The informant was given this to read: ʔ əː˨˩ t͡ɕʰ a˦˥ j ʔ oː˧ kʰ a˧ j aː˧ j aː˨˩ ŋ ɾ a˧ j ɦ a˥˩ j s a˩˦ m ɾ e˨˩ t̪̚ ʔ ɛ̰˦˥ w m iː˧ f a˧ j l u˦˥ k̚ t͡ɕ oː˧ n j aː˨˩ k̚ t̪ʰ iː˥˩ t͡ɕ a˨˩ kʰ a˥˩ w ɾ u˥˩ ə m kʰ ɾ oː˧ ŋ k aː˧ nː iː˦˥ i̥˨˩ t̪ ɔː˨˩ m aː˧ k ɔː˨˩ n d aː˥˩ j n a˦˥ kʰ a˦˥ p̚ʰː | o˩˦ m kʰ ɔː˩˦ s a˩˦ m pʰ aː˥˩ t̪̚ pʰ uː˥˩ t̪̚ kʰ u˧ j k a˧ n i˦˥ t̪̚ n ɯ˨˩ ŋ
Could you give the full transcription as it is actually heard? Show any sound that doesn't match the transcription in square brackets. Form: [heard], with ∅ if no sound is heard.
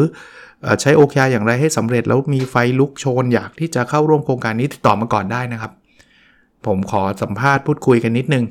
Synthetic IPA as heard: ʔ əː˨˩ t͡ɕʰ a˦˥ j ʔ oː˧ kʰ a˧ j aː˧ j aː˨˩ ŋ ɾ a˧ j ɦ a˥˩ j s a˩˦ m ɾ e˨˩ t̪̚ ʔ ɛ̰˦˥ w m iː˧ f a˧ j l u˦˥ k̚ [t͡ɕʰ] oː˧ n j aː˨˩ k̚ t̪ʰ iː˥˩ t͡ɕ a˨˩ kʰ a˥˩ w ɾ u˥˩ ə m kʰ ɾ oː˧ ŋ k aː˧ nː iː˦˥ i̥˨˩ t̪ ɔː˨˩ m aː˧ k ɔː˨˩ n d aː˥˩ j n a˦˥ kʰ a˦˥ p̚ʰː | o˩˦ m kʰ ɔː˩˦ s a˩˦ m pʰ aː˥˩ t̪̚ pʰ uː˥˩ t̪̚ kʰ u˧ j k a˧ [nː] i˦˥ t̪̚ n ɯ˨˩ ŋ